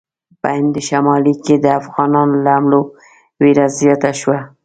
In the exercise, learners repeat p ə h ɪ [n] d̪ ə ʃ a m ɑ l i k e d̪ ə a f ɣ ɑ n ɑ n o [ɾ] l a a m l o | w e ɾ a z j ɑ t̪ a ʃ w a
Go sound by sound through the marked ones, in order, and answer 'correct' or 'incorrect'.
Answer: correct, incorrect: none

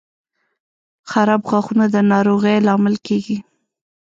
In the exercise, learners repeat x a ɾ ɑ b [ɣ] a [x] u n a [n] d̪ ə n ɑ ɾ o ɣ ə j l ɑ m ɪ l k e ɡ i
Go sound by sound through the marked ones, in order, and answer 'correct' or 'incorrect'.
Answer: correct, correct, incorrect: none

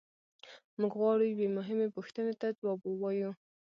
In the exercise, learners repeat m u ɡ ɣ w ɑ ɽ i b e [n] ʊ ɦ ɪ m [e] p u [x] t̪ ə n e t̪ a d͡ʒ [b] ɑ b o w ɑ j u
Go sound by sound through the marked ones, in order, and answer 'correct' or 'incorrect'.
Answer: incorrect: m, correct, correct, incorrect: w

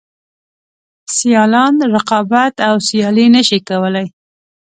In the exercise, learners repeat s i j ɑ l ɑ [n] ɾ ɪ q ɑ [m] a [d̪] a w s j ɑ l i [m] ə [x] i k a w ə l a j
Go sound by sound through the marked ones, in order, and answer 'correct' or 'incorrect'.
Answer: correct, incorrect: b, incorrect: t̪, incorrect: n, incorrect: ʃ

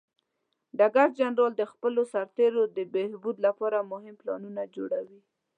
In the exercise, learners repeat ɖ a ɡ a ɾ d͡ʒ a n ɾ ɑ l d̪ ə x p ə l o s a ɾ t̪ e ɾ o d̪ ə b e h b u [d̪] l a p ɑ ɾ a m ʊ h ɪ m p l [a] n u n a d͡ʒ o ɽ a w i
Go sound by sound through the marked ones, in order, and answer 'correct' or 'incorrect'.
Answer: correct, incorrect: ɑ

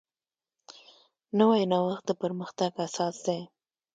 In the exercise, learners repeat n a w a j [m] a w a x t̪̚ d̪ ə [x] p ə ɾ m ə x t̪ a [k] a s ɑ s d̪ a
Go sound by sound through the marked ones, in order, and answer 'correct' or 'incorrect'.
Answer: incorrect: n, incorrect: none, incorrect: ɡ

